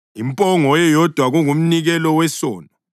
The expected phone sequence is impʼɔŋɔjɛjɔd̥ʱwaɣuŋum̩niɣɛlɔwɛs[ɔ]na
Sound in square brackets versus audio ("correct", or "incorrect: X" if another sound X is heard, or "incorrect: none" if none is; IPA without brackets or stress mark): incorrect: ɔː